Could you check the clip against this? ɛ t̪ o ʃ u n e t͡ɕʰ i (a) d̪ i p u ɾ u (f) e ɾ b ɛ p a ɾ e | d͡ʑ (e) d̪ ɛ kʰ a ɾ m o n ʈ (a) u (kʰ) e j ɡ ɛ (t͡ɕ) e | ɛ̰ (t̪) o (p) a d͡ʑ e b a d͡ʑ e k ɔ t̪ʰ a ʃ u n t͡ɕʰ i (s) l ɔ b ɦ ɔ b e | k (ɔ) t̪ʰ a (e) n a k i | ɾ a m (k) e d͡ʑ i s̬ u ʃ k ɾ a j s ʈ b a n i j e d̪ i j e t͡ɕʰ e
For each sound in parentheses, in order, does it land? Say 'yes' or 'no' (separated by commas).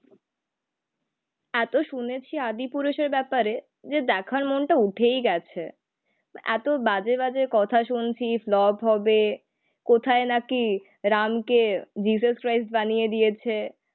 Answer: yes, no, yes, yes, no, no, yes, no, no, no, yes, yes